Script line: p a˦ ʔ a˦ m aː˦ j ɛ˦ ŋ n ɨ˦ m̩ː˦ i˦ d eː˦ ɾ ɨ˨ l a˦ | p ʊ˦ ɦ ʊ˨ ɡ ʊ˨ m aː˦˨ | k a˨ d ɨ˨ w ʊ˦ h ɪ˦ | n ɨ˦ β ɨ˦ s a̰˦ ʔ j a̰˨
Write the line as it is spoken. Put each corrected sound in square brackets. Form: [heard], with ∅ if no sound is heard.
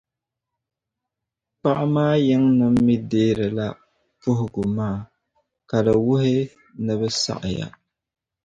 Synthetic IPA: p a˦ ʔ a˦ m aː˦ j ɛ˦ ŋ n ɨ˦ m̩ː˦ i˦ d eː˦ ɾ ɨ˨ l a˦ | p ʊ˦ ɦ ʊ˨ ɡ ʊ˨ m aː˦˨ | k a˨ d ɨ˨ w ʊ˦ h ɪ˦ | n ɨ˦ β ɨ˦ s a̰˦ ʔ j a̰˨